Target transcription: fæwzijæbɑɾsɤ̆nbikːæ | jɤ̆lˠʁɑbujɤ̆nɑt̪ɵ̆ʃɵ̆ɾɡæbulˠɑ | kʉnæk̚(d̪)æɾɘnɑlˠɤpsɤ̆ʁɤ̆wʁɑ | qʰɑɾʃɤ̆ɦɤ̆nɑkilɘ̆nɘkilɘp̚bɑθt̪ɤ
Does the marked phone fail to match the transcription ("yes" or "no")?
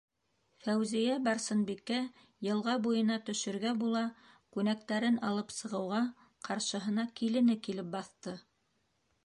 yes